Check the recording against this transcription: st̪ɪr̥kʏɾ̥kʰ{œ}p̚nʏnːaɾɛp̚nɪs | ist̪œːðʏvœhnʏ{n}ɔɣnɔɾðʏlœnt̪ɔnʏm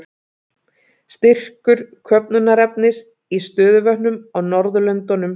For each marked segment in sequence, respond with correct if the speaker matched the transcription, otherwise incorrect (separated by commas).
correct, incorrect